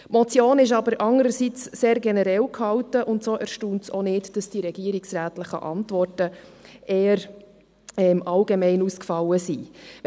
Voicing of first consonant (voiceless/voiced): voiced